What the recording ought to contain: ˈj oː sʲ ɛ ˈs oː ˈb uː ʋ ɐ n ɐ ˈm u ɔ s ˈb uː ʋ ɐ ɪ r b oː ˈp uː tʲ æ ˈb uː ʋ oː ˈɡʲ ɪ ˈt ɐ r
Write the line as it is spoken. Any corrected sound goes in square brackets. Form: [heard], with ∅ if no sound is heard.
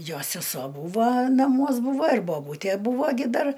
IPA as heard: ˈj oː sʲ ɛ ˈs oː ˈb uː ʋ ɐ n ɐ ˈm u ɔ s ˈb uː ʋ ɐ ɪ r b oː [ˈb] uː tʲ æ ˈb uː ʋ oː ˈɡʲ ɪ [ˈd] ɐ r

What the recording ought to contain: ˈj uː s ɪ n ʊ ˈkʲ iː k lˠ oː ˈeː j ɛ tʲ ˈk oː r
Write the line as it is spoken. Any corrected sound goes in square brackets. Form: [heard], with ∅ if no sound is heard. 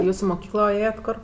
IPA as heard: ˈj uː s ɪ [m] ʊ ˈkʲ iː k lˠ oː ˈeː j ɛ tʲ ˈk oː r

